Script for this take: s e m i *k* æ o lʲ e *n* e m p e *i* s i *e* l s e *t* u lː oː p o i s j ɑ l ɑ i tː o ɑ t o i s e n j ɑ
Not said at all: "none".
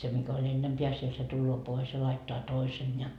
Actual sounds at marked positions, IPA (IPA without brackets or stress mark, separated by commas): k, nː, æ, e, t